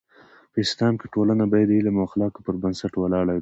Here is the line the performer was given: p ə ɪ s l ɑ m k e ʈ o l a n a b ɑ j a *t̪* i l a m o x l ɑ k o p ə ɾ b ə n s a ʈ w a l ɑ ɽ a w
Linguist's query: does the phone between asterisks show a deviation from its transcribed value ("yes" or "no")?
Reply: yes